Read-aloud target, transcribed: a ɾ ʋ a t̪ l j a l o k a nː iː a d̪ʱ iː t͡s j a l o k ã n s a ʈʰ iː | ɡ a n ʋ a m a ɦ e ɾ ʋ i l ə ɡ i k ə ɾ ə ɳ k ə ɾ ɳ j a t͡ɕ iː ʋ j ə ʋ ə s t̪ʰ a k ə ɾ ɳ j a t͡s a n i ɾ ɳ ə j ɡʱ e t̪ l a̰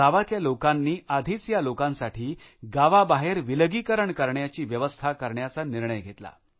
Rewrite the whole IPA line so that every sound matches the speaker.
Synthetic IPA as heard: a ʋ a t̪ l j a l o k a nː iː a d̪ʱ iː t͡s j a l o k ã n s a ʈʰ iː | ɡ a ʋ a b a ɦ e ɾ ʋ i l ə ɡ i k ə ɾ ə ɳ k ə ɾ ɳ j a t͡ɕ iː ʋ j ə ʋ ə s t̪ʰ a k ə ɾ ɳ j a t͡s a n i ɾ ɳ ə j ɡʱ e t̪ l a̰